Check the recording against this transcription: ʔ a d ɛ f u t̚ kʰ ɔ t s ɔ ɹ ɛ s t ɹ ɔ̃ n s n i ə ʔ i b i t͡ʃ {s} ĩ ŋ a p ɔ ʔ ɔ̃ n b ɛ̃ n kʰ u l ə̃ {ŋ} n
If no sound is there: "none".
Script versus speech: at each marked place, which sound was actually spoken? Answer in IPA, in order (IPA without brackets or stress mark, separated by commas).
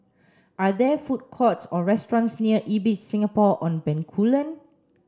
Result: s, none